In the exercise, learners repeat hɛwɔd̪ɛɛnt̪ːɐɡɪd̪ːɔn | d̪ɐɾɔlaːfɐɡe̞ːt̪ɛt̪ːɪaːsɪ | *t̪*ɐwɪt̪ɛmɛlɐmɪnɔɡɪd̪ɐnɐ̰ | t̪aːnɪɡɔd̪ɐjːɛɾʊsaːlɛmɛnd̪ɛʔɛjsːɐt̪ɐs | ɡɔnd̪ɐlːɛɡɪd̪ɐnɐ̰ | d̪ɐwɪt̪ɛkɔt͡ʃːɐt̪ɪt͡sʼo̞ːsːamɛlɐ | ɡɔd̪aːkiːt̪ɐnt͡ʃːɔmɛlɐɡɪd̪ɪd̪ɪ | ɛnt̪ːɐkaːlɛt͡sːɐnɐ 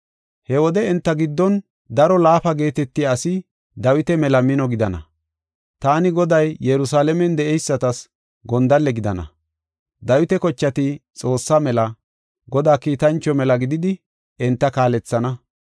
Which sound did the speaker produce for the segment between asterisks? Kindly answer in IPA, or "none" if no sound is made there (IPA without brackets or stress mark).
d̪